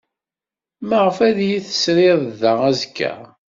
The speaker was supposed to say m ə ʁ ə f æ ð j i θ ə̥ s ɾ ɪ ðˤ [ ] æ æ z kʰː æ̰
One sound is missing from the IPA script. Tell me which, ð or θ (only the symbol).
ð